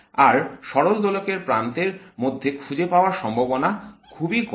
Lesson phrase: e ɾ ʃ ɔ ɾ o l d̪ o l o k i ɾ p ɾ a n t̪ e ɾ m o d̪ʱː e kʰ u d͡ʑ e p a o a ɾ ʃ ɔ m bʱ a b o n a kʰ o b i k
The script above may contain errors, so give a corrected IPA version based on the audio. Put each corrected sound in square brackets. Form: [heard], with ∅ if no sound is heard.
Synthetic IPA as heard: [a] ɾ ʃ ɔ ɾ o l d̪ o l o k [e] ɾ p ɾ a n t̪ e ɾ m o d̪ʱː e kʰ u d͡ʑ e p a o a ɾ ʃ ɔ m bʱ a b o n a kʰ [u] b i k